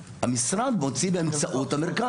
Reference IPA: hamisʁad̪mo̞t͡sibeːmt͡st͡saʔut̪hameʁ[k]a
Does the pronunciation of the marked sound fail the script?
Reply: no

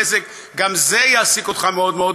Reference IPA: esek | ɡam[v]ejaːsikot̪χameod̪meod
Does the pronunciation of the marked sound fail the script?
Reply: yes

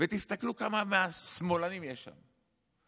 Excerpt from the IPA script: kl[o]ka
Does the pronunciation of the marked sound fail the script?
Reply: yes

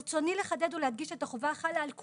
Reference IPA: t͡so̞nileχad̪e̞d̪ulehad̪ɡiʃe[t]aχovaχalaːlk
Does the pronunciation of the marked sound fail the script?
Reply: no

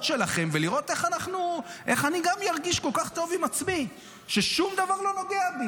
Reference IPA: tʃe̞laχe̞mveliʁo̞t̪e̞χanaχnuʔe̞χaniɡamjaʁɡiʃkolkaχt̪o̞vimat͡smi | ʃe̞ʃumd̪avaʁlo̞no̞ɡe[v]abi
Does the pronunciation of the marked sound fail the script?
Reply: yes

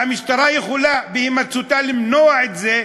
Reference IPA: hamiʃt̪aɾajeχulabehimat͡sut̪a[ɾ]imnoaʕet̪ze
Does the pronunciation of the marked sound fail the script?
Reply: yes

